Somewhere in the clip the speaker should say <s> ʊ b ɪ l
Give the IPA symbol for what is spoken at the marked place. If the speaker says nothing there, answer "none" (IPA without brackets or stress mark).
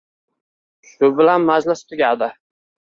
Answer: ʃ